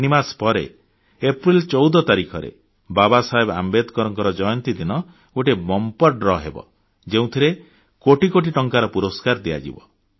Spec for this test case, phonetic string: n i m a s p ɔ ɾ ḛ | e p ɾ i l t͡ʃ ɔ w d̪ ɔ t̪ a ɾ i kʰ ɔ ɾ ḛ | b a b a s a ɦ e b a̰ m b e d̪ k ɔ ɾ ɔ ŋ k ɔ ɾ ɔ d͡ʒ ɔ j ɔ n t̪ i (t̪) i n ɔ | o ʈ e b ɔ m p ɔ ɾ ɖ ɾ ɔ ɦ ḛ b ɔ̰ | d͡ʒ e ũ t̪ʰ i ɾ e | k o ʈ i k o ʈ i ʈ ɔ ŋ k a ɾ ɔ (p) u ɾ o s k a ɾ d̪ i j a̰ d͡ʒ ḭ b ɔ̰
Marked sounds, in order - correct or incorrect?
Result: incorrect: d̪, correct

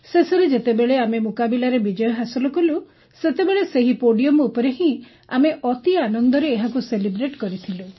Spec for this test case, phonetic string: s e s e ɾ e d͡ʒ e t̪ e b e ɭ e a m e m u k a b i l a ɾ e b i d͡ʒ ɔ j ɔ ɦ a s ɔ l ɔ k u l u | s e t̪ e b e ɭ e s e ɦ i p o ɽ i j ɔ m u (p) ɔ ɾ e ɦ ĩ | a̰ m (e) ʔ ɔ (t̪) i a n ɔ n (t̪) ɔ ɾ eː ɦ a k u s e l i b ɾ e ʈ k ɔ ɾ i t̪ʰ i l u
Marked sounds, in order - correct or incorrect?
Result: correct, correct, correct, incorrect: d̪

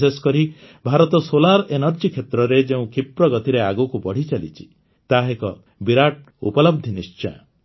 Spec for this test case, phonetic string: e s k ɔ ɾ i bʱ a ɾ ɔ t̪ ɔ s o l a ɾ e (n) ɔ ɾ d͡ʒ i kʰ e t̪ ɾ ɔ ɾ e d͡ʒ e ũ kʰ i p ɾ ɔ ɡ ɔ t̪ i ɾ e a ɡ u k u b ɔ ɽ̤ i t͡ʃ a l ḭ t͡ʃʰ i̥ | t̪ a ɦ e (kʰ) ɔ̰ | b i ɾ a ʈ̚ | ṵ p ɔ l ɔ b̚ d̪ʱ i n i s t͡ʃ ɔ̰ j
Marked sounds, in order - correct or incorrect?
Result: correct, incorrect: k

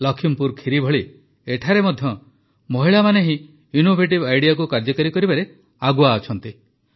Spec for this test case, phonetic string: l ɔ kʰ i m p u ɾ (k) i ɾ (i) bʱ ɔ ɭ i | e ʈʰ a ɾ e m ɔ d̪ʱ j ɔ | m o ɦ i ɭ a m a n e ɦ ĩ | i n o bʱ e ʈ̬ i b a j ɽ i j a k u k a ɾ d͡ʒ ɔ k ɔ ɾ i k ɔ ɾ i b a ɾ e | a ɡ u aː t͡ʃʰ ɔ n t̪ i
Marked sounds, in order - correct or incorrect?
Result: incorrect: kʰ, correct

